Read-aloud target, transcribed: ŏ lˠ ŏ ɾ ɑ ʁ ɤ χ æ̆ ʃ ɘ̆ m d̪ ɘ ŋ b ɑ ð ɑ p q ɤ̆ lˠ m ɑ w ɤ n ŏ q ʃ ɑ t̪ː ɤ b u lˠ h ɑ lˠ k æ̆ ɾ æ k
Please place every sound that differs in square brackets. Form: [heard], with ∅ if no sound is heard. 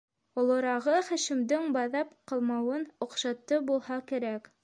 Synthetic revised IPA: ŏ lˠ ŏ ɾ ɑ ʁ ɤ χ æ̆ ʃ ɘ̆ m d̪ ɘ ŋ b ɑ ð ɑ p q ɤ̆ lˠ m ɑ w ɤ n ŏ q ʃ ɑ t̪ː ɤ b u lˠ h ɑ [∅] k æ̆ ɾ æ k